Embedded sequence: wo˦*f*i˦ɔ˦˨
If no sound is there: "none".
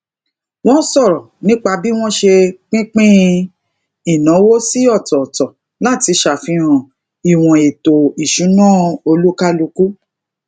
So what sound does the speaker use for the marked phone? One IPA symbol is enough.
s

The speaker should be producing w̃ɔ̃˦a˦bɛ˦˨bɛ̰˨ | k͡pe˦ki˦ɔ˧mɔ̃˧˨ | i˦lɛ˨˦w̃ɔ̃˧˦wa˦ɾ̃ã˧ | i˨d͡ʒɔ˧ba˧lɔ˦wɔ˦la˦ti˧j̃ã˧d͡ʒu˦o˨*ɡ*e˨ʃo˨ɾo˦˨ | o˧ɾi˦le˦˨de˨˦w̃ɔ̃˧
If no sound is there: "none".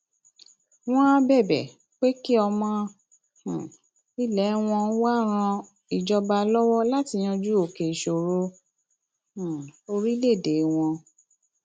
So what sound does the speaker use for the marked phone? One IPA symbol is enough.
k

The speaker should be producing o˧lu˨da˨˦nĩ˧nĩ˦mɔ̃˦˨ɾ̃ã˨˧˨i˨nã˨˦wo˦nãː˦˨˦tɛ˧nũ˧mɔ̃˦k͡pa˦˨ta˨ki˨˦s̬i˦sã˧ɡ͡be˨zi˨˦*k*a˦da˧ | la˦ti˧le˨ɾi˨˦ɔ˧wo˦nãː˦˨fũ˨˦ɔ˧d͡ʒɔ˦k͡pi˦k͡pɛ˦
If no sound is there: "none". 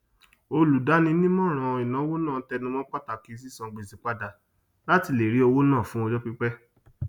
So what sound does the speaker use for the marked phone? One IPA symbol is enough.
k͡p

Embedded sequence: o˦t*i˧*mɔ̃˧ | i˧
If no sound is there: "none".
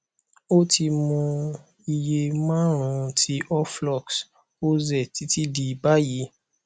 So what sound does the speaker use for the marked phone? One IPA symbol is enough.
i˧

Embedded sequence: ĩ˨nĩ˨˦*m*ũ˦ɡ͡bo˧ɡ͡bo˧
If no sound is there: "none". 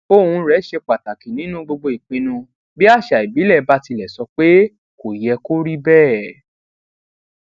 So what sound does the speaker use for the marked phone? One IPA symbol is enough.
n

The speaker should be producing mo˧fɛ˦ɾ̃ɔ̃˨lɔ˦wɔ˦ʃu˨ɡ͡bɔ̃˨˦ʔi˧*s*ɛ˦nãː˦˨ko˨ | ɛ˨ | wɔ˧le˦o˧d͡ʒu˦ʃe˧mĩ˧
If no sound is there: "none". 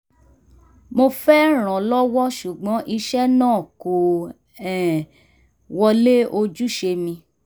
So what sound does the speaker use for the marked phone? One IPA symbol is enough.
ʃ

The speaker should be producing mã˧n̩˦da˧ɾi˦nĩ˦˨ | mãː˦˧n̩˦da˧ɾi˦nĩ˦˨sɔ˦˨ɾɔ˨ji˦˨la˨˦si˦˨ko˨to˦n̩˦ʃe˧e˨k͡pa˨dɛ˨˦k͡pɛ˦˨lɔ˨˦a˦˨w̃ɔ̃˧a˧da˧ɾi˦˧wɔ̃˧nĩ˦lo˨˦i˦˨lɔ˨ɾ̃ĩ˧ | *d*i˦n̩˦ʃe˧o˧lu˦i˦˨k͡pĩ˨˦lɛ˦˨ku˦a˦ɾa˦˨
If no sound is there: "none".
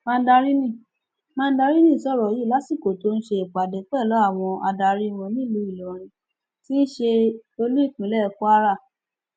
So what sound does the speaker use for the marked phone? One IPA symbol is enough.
t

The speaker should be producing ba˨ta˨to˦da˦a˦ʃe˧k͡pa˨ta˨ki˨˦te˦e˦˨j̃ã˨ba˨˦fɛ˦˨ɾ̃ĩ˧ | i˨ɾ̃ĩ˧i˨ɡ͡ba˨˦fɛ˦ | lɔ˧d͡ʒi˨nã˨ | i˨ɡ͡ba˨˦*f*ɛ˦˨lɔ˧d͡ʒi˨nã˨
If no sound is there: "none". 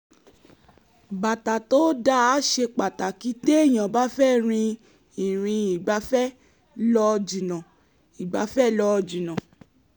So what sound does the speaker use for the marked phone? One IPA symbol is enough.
f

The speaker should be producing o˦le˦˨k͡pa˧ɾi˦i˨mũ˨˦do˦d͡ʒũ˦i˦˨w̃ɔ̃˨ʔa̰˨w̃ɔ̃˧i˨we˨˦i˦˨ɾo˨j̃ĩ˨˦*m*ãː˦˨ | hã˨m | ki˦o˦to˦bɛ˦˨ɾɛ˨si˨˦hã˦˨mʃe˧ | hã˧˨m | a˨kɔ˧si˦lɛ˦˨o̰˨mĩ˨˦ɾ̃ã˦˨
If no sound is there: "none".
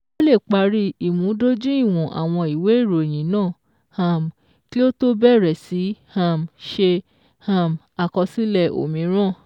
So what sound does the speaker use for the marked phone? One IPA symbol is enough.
n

